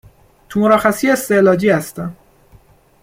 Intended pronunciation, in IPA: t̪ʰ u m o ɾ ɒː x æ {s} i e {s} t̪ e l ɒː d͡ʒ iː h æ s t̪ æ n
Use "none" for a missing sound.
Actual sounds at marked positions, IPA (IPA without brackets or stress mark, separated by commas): s, s